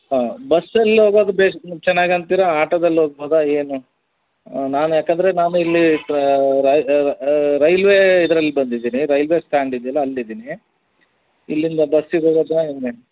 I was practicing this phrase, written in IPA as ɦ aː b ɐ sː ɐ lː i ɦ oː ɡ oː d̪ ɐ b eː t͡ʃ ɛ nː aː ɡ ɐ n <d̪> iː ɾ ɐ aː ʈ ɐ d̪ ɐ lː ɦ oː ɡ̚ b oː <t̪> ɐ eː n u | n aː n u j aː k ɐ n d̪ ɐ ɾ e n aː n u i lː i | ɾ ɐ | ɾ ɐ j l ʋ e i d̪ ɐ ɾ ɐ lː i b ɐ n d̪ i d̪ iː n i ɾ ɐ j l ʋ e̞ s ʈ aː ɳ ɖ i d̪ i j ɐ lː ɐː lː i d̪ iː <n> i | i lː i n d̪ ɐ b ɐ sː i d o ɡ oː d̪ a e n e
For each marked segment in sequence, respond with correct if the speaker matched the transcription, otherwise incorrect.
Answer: incorrect: t̪, incorrect: d̪, correct

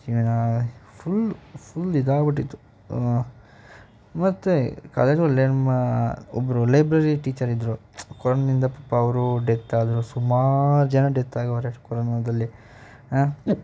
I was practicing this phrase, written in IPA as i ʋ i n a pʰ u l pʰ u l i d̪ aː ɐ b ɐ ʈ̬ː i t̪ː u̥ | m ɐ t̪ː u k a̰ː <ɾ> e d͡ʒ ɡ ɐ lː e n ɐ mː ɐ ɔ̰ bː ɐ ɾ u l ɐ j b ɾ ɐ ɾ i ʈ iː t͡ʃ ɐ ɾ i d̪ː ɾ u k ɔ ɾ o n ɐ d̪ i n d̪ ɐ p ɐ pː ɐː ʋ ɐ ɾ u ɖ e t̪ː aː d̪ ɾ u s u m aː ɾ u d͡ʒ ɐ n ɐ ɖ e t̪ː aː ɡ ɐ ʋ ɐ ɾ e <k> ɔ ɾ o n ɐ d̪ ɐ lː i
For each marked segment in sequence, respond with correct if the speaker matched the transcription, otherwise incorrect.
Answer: incorrect: l, correct

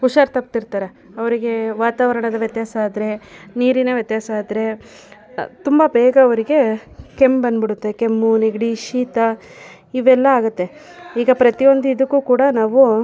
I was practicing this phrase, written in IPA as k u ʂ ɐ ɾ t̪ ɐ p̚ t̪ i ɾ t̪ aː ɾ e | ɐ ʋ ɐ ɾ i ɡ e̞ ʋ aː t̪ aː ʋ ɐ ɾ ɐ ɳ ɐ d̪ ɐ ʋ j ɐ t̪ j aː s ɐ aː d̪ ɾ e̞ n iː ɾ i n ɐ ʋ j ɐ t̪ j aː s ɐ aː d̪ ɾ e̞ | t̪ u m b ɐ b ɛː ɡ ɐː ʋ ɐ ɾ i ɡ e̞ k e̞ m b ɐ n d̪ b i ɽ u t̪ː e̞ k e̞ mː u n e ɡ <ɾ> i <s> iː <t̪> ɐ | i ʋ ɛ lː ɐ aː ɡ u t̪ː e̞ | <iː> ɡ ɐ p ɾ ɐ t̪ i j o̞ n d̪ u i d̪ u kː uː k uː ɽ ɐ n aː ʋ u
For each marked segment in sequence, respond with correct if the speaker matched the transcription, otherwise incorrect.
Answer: incorrect: ɽ, incorrect: ʃ, correct, correct

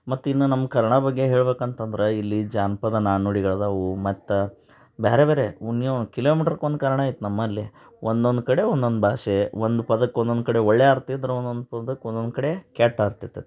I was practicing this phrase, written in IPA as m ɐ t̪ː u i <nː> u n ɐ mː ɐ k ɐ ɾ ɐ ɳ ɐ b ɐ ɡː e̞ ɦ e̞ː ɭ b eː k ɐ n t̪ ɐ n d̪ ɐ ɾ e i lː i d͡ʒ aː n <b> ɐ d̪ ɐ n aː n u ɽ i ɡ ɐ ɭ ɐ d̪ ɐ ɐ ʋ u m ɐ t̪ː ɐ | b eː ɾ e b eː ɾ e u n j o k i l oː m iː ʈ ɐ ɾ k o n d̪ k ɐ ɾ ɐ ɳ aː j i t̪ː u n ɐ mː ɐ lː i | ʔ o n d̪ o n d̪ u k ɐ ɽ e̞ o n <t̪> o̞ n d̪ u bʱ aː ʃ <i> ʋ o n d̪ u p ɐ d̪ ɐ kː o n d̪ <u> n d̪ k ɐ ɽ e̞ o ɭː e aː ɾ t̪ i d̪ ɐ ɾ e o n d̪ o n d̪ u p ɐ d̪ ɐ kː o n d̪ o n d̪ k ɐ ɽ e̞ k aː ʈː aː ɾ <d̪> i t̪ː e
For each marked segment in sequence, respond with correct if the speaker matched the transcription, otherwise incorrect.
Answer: correct, incorrect: p, incorrect: d̪, incorrect: e, incorrect: o, incorrect: t̪

